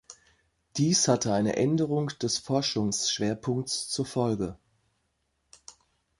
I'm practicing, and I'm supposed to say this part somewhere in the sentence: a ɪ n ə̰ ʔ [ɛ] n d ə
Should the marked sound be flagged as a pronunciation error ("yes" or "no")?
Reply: no